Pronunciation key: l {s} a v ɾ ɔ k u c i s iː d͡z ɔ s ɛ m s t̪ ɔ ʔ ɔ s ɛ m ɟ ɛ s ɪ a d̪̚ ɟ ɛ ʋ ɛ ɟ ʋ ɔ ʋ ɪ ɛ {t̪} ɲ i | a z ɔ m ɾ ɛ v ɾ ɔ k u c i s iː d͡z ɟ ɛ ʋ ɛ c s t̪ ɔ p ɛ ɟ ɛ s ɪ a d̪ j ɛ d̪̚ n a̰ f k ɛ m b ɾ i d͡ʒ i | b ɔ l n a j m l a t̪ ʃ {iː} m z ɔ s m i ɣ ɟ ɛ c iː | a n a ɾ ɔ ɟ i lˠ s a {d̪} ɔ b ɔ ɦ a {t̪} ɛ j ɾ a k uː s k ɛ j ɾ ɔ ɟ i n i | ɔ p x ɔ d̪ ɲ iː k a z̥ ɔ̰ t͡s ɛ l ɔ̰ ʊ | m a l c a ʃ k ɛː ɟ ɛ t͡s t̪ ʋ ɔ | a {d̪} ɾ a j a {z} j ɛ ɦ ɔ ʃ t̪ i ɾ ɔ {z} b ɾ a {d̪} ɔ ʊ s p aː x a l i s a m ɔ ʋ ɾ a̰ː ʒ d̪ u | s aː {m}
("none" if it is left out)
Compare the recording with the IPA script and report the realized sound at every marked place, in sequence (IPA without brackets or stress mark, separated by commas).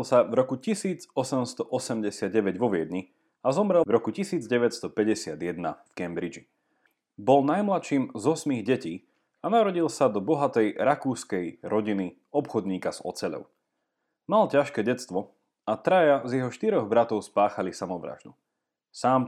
s, d̪, iː, d̪, t̪, t̪, z, ɣ, t̪, m